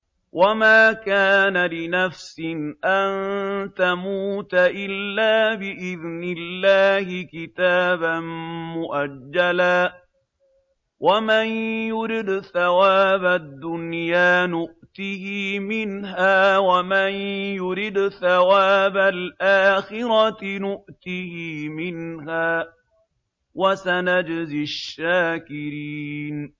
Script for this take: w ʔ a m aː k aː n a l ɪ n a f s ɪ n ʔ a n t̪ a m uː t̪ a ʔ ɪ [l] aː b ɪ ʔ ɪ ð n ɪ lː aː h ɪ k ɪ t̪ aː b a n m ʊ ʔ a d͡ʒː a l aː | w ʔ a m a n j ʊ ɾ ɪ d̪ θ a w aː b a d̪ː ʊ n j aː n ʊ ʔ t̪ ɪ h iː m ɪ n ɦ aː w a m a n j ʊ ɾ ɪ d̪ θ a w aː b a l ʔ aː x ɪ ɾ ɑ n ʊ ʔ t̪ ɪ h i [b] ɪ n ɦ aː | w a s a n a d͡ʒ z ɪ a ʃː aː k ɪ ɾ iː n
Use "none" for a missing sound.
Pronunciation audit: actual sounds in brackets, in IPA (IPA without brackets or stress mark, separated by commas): lː, m